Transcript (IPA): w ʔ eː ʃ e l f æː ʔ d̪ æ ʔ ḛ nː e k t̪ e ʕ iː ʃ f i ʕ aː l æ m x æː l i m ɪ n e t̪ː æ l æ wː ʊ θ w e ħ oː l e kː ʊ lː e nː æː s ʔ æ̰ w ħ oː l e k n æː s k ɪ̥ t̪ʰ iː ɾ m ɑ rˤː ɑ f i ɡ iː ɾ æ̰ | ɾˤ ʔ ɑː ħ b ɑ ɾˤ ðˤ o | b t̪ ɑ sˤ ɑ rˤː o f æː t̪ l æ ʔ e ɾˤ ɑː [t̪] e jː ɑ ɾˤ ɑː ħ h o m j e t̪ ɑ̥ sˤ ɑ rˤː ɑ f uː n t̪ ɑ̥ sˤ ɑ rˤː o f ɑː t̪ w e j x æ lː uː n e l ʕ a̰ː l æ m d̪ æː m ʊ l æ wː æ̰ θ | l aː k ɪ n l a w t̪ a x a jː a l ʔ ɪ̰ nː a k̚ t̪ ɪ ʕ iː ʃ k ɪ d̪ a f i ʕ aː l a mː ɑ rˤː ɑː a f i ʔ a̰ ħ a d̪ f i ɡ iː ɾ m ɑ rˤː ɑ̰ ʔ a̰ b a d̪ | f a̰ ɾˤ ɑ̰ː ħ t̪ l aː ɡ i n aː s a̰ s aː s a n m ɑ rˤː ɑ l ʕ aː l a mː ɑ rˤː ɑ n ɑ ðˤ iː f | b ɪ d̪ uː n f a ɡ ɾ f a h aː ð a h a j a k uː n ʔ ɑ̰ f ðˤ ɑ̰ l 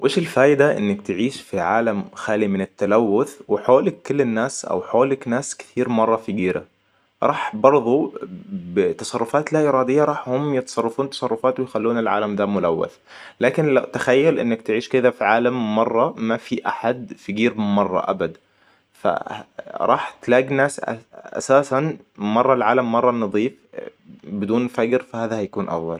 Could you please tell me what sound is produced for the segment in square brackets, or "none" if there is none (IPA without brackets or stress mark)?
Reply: d̪